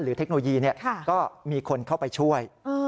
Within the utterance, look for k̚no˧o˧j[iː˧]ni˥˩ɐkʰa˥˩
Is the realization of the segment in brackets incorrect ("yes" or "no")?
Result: no